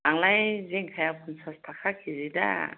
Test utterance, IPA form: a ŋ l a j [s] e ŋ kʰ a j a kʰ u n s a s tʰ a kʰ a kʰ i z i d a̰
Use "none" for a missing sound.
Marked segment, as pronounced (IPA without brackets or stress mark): z